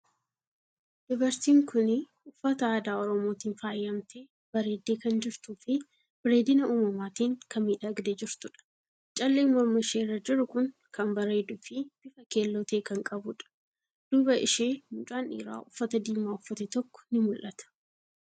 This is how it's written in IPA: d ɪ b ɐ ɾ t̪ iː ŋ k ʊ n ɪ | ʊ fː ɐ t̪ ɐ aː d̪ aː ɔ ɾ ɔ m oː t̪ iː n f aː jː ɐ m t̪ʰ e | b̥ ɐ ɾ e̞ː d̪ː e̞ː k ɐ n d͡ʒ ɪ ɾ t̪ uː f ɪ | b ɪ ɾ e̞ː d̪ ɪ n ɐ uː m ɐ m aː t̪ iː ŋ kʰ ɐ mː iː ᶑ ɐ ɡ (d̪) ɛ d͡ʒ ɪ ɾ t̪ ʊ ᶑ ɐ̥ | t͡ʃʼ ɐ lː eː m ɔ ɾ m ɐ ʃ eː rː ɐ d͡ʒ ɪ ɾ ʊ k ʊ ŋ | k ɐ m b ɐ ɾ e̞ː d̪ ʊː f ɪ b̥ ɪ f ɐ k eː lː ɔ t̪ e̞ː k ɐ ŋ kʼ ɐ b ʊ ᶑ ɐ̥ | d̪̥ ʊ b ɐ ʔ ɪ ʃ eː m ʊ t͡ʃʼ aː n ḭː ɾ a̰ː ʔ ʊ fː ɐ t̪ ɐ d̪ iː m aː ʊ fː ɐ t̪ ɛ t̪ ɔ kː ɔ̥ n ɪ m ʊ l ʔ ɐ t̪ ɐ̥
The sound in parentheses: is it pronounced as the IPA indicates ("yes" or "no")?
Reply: yes